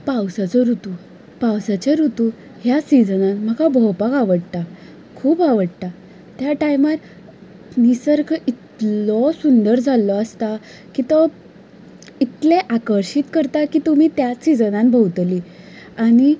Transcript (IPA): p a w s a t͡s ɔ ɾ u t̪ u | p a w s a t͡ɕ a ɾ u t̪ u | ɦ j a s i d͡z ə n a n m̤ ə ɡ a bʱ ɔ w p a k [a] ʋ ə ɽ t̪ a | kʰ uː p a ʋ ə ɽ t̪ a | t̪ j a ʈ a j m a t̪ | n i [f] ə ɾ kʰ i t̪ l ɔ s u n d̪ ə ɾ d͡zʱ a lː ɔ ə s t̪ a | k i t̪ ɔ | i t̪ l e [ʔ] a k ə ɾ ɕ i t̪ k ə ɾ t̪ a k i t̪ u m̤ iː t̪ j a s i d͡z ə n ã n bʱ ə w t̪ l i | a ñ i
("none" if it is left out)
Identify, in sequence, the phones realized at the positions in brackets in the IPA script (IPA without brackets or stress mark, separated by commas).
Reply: a, s, ʔ